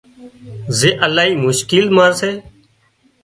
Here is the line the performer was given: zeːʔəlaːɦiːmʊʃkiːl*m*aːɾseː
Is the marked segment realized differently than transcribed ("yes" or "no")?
no